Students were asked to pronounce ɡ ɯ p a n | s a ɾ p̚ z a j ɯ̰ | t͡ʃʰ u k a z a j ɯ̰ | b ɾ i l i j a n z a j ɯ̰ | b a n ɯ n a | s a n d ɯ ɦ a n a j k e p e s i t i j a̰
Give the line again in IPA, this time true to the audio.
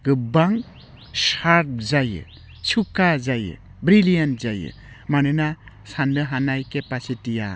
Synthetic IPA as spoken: ɡ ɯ b a ŋ | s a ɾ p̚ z a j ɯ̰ | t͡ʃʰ u k a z a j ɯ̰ | b ɾ i l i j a n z a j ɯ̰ | m a n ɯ n a | s a n d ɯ ɦ a n a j k e p a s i t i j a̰